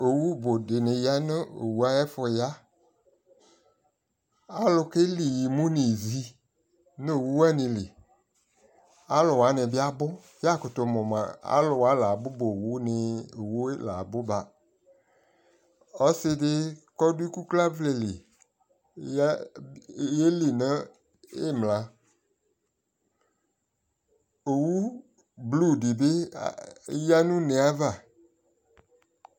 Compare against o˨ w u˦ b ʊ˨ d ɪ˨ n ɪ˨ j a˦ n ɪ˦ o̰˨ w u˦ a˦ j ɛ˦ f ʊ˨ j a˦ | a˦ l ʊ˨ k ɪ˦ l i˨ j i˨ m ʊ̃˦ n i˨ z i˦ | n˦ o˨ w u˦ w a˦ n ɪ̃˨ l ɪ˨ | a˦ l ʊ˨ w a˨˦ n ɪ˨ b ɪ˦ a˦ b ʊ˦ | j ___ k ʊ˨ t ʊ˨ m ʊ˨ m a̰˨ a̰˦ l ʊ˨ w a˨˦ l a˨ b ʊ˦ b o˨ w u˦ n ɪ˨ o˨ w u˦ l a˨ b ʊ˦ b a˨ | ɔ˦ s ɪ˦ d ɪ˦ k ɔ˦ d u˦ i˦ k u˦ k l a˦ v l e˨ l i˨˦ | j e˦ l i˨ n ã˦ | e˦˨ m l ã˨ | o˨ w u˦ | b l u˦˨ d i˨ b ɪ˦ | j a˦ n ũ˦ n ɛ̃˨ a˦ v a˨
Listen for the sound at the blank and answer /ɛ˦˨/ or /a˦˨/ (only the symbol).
a˦˨